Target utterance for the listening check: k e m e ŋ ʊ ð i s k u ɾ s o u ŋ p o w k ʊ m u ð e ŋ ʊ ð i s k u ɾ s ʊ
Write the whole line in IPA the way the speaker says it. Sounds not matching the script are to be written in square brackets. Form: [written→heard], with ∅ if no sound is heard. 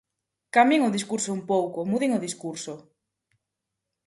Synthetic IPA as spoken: k [e→a] m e ŋ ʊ ð i s k u ɾ s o u [ŋ→m] p o w k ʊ m u ð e ŋ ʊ ð i s k u ɾ s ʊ